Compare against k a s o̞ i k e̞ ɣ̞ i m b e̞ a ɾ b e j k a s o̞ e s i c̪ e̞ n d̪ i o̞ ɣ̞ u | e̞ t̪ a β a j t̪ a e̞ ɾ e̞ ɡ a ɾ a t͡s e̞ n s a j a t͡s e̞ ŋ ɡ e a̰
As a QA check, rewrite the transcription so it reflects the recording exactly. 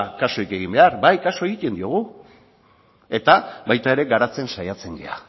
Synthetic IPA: k a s o̞ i k e̞ ɣ̞ i m b e̞ a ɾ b a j k a s o̞ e i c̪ e̞ n d̪ i o̞ ɣ̞ u | e̞ t̪ a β a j t̪ a e̞ ɾ e̞ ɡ a ɾ a t͡s e̞ n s a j a t͡s e̞ ŋ ɡ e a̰